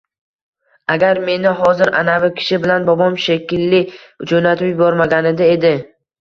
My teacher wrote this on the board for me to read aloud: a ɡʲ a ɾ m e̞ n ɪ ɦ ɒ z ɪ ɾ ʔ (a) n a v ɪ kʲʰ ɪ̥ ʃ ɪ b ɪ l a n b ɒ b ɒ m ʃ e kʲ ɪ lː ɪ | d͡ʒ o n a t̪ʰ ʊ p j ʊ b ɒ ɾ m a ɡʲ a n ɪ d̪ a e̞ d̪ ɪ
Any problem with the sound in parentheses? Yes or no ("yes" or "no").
no